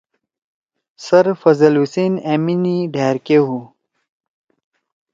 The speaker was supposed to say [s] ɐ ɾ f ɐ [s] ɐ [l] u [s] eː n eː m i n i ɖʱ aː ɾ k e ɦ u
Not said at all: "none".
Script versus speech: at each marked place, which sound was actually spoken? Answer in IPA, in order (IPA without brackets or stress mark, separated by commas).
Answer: s, z, l, s